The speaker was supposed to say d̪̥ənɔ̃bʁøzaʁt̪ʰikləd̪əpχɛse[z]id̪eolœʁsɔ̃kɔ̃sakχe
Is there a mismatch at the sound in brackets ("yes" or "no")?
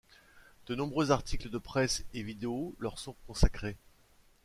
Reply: yes